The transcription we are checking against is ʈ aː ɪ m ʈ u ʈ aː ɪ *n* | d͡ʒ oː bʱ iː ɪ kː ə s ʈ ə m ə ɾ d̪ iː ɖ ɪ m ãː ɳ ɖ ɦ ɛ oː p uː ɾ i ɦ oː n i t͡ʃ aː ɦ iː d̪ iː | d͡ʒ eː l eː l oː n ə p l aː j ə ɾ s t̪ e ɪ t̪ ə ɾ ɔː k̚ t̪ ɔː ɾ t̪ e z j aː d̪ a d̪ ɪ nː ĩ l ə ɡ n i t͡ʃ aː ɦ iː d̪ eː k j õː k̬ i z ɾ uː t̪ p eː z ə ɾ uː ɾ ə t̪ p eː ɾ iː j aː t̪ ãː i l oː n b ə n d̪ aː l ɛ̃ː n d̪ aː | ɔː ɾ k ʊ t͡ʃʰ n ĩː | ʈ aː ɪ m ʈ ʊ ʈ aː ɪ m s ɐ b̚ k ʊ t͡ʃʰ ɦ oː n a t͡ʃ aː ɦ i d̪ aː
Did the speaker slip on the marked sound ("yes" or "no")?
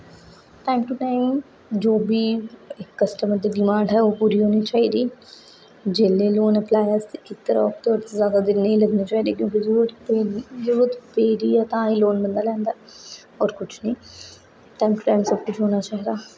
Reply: yes